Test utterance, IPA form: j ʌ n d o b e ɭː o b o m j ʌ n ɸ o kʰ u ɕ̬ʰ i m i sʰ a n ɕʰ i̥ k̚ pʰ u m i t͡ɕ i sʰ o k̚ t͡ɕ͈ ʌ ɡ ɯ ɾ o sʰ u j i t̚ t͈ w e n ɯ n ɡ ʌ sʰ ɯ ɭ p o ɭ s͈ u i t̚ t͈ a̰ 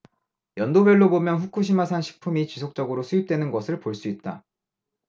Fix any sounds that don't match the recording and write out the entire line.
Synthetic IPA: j ʌ n d o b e ɭː o b o m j ʌ n ɸ u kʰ u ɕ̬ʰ i m a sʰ a n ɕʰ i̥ k̚ pʰ u m i t͡ɕ i sʰ o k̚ t͡ɕ͈ ʌ ɡ ɯ ɾ o sʰ u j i p̚ t͈ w e n ɯ n ɡ ʌ sʰ ɯ ɭ p o ɭ s͈ u i t̚ t͈ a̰

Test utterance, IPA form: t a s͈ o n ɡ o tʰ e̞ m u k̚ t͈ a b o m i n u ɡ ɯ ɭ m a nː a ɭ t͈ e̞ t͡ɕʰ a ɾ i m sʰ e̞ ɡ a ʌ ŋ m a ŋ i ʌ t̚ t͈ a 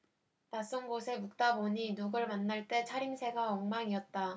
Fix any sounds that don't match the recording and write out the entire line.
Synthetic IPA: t a s͈ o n ɡ o sʰ e̞ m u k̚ t͈ a b o ɲ i n u ɡ ɯ ɭ m a nː a ɭ t͈ e̞ t͡ɕʰ a ɾ i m sʰ e̞ ɡ a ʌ ŋ m a ŋ i ʌ t̚ t͈ a

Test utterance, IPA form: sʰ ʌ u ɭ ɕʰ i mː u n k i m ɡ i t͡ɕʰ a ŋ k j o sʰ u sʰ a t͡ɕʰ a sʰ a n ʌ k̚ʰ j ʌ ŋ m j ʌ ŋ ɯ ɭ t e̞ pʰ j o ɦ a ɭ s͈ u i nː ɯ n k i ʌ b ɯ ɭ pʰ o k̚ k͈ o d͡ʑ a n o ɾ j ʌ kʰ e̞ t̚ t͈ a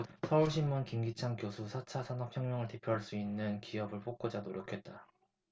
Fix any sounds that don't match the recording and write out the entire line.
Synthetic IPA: sʰ ʌ u ɭ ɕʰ i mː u n k i m ɡ i t͡ɕʰ a ŋ k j o sʰ u sʰ a t͡ɕʰ a sʰ a n ʌ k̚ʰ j ʌ ŋ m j ʌ ŋ ɯ ɭ t e̞ pʰ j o ɦ a ɭ s͈ u i nː ɯ n k i ʌ b ɯ ɭ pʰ o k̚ k͈ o d͡ʑ a n o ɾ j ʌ kʰ e̞ t̚ t͈ a

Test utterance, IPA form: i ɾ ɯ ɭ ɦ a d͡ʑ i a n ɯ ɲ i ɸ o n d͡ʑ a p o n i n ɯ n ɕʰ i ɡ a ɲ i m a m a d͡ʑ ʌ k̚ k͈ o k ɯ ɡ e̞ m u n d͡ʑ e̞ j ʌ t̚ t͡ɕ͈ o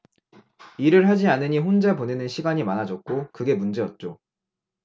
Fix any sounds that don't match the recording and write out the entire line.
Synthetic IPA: i ɾ ɯ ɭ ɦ a d͡ʑ i a n ɯ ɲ i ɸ o n d͡ʑ a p o n e n ɯ n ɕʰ i ɡ a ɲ i m a n a d͡ʑ ʌ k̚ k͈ o k ɯ ɡ e̞ m u n d͡ʑ e̞ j ʌ t̚ t͡ɕ͈ o

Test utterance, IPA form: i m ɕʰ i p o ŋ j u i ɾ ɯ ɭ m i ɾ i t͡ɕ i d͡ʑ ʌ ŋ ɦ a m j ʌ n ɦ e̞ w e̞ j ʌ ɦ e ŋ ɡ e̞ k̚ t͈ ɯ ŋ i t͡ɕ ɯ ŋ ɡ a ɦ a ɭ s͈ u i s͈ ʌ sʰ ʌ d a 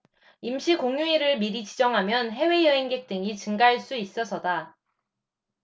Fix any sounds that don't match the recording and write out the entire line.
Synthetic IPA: i m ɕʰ i k o ŋ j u i ɾ ɯ ɭ m i ɾ i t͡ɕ i d͡ʑ ʌ ŋ ɦ a m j ʌ n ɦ e̞ w e̞ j ʌ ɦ e ŋ ɡ e̞ k̚ t͈ ɯ ŋ i t͡ɕ ɯ ŋ ɡ a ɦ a ɭ s͈ u i s͈ ʌ sʰ ʌ d a

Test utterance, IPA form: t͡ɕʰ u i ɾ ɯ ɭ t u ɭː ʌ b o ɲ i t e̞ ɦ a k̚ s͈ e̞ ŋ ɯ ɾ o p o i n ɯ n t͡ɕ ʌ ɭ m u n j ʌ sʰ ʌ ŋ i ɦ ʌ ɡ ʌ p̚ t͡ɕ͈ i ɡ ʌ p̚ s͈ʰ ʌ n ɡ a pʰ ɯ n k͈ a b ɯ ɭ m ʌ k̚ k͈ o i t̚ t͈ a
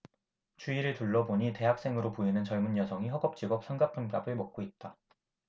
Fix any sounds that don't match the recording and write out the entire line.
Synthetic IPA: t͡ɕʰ u i ɾ ɯ ɭ t u ɭː ʌ b o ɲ i t e̞ ɦ a k̚ s͈ e̞ ŋ ɯ ɾ o p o i n ɯ n t͡ɕ ʌ ɭ m u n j ʌ sʰ ʌ ŋ i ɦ ʌ ɡ ʌ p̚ t͡ɕ͈ i ɡ ʌ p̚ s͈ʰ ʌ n ɡ a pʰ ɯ n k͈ a b ɯ ɭ m ʌ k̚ k͈ o i t̚ t͈ a

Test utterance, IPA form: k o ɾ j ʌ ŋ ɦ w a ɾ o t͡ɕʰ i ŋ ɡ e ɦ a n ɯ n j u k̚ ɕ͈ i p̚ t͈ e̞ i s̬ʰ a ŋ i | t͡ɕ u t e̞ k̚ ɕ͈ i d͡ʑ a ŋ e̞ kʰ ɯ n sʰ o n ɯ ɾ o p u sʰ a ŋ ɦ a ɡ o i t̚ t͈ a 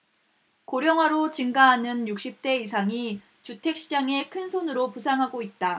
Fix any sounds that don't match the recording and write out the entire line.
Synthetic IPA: k o ɾ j ʌ ŋ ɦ w a ɾ o t͡ɕ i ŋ ɡ a ɦ a n ɯ n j u k̚ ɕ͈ i p̚ t͈ e̞ i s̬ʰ a ŋ i | t͡ɕ u tʰ e̞ k̚ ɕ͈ i d͡ʑ a ŋ e̞ kʰ ɯ n sʰ o n ɯ ɾ o p u sʰ a ŋ ɦ a ɡ o i t̚ t͈ a

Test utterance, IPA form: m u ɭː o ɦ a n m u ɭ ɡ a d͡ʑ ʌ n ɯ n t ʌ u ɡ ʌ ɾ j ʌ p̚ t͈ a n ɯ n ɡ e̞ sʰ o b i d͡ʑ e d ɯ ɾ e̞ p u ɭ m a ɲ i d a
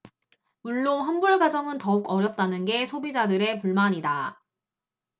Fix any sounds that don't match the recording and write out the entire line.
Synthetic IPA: m u ɭː o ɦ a n b u ɭ ɡ a d͡ʑ ʌ ŋ ɯ n t ʌ u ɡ ʌ ɾ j ʌ p̚ t͈ a n ɯ n ɡ e̞ sʰ o b i d͡ʑ a d ɯ ɾ e̞ p u ɭ m a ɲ i d a

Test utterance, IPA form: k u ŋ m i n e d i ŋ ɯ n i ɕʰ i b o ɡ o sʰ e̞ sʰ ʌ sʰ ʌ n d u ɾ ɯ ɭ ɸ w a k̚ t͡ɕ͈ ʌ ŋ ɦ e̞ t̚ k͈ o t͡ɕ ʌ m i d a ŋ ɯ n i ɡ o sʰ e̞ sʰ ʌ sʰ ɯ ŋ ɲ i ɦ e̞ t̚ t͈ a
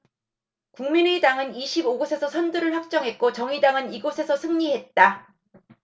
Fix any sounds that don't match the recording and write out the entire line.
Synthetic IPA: k u ŋ m i n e d a ŋ ɯ n i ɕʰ i b o ɡ o sʰ e̞ sʰ ʌ sʰ ʌ n d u ɾ ɯ ɭ ɸ w a k̚ t͡ɕ͈ ʌ ŋ ɦ e̞ t̚ k͈ o t͡ɕ ʌ ŋ i d a ŋ ɯ n i ɡ o sʰ e̞ sʰ ʌ sʰ ɯ ŋ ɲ i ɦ e̞ t̚ t͈ a

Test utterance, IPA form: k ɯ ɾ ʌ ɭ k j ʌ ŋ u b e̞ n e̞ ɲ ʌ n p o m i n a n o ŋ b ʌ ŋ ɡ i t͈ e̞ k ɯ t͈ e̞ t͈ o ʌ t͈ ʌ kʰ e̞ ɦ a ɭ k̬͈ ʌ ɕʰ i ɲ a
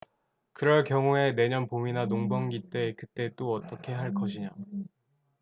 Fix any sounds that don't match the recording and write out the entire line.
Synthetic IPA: k ɯ ɾ ʌ ɭ k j ʌ ŋ u e̞ n e̞ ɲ ʌ n p o m i n a n o ŋ b ʌ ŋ ɡ i t͈ e̞ k ɯ t͈ e̞ t͈ o ʌ t͈ ʌ kʰ e̞ ɦ a ɭ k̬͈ ʌ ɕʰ i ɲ a

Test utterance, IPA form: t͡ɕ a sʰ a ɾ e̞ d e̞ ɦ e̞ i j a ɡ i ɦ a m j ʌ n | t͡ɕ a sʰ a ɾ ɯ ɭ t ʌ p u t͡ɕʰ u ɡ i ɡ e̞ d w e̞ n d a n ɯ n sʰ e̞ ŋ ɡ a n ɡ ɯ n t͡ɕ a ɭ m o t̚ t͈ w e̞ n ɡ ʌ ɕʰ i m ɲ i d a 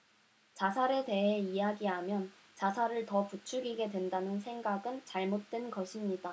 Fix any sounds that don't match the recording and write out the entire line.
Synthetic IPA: t͡ɕ a sʰ a ɾ e̞ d e̞ ɦ e̞ i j a ɡ i ɦ a m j ʌ n | t͡ɕ a sʰ a ɾ ɯ ɭ t ʌ p u t͡ɕʰ u ɡ i ɡ e̞ d w e̞ n d a n ɯ n sʰ e̞ ŋ ɡ a ɡ ɯ n t͡ɕ a ɭ m o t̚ t͈ w e̞ n ɡ ʌ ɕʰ i m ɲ i d a

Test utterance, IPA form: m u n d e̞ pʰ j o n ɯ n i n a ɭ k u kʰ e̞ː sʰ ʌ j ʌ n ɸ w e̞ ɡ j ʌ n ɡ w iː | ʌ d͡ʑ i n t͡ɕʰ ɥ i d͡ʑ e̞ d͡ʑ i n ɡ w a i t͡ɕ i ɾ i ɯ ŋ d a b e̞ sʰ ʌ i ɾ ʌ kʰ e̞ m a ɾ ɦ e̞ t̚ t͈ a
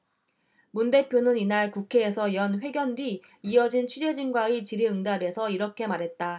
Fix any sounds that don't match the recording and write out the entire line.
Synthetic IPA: m u n d e̞ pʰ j o n ɯ n i n a ɭ k u kʰ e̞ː sʰ ʌ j ʌ n ɸ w e̞ ɡ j ʌ n d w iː | ʌ d͡ʑ i n t͡ɕʰ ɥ i d͡ʑ e̞ d͡ʑ i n ɡ w a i t͡ɕ i ɾ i ɯ ŋ d a b e̞ sʰ ʌ i ɾ ʌ kʰ e̞ m a ɾ ɦ e̞ t̚ t͈ a

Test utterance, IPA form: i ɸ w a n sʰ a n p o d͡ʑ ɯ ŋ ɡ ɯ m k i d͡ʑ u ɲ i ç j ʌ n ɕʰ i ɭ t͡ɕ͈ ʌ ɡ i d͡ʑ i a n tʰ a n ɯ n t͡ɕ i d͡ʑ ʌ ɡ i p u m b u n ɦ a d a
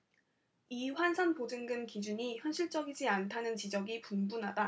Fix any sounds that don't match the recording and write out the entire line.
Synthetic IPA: i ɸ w a n sʰ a n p o d͡ʑ ɯ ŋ ɡ ɯ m k i d͡ʑ u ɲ i ç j ʌ n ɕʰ i ɭ t͡ɕ͈ ʌ ɡ i d͡ʑ i a n tʰ a n ɯ n t͡ɕ i d͡ʑ ʌ ɡ i p u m b u n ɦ a d a

